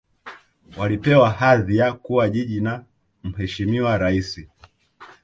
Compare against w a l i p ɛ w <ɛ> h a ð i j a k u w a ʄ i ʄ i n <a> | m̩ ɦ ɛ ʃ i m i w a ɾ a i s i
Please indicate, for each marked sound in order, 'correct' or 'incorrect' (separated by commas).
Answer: incorrect, correct